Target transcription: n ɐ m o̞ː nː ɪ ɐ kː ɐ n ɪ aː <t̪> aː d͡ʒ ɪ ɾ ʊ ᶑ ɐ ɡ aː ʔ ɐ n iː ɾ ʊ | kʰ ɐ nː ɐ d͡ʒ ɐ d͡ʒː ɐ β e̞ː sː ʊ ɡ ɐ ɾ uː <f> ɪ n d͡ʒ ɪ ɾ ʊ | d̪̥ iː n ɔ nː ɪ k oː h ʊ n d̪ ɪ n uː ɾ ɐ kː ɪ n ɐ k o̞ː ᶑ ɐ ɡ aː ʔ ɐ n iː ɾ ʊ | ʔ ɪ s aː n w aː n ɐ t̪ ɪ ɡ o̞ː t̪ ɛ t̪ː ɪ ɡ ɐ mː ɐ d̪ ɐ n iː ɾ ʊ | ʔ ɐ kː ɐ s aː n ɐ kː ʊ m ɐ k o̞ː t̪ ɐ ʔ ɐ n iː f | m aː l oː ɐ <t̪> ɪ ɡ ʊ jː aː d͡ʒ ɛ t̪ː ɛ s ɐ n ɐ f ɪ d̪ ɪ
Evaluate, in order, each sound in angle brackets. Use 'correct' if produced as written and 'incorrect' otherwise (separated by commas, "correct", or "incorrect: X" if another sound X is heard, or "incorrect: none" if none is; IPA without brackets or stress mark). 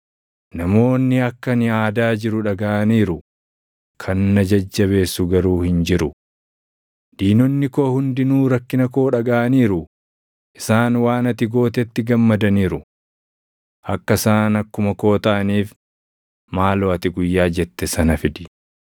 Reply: incorrect: d̪, incorrect: h, correct